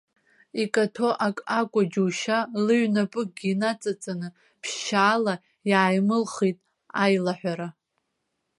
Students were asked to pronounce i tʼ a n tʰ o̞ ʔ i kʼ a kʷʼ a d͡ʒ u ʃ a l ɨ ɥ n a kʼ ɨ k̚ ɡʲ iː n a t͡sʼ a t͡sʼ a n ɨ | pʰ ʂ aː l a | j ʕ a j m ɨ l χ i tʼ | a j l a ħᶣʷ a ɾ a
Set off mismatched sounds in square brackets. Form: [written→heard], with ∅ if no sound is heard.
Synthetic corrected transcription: i [tʼ→kʼ] a [n→∅] tʰ o̞ ʔ [i→a] kʼ a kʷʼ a d͡ʒ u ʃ a l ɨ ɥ n a [kʼ→pʼ] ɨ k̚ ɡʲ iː n a t͡sʼ a t͡sʼ a n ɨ | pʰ [ʂ→ʃ] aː l a | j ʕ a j m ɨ l χ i tʼ | a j l a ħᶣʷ a ɾ a